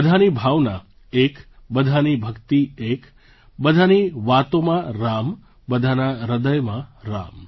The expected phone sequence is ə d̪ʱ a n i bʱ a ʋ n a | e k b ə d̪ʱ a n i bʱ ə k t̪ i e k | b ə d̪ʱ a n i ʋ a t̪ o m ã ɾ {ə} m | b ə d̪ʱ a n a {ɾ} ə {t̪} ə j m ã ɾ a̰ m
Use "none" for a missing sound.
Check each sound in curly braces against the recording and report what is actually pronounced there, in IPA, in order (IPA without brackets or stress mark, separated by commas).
a, ɾ, d̪